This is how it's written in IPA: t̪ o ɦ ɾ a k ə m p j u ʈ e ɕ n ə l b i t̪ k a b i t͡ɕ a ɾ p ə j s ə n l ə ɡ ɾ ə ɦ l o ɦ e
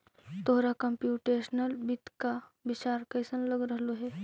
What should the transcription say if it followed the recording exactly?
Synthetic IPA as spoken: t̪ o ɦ ɾ a k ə m p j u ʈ e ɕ n ə l b i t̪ k a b i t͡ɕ a ɾ k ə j s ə n l ə ɡ ɾ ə ɦ l o ɦ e